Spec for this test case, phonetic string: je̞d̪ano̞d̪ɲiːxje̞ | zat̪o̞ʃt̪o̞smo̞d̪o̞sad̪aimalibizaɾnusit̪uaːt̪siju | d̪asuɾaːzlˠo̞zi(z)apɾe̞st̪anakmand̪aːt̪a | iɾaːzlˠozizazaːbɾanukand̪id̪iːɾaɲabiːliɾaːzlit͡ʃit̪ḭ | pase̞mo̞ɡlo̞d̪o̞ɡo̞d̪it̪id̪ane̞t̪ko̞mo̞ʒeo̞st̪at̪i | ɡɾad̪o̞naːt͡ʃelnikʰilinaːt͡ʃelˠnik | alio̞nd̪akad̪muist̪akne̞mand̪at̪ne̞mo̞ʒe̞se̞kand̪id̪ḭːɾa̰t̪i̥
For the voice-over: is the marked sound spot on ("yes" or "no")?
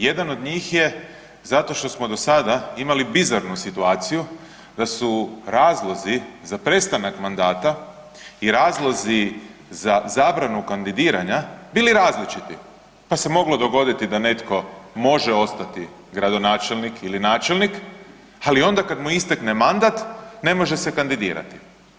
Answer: yes